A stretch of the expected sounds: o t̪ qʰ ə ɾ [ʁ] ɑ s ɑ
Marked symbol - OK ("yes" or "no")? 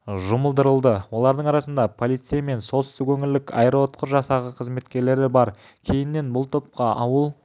no